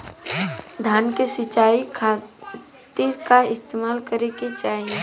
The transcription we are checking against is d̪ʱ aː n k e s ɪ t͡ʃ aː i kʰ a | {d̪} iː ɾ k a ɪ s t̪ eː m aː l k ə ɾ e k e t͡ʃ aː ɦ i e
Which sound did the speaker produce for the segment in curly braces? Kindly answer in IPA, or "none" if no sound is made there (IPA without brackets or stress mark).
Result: t̪